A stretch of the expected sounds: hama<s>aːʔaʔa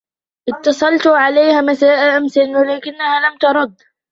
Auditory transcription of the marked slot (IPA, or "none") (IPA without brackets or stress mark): s